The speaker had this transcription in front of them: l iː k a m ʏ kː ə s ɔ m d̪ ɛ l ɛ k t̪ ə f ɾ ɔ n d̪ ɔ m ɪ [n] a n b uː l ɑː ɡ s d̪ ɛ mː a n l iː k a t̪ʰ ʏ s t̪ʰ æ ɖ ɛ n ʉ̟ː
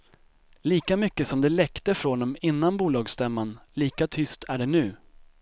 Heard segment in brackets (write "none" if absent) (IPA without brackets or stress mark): nː